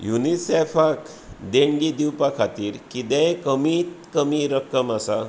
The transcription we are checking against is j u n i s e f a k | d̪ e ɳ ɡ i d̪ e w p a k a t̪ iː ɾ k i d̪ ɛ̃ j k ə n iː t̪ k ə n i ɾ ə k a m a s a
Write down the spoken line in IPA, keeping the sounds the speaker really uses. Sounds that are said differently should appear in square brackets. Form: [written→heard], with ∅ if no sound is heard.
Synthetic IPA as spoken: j u n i s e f a k | d̪ e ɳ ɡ i d̪ [e→i] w p a [k→kʰ] a t̪ iː ɾ k i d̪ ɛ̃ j k ə [n→m] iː t̪ k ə [n→m] i ɾ ə k [a→ə] m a s a